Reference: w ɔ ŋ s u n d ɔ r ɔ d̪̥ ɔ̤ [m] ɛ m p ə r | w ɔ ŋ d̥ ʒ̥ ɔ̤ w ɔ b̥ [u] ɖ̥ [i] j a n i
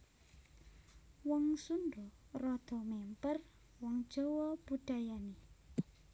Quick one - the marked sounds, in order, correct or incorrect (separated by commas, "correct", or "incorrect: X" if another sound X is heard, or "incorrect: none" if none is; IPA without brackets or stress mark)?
correct, correct, incorrect: a